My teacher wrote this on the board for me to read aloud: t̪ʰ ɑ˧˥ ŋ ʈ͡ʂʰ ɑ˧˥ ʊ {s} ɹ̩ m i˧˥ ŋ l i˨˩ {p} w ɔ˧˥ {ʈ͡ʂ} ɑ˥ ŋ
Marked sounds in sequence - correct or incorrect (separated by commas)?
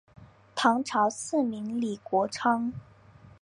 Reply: correct, incorrect, incorrect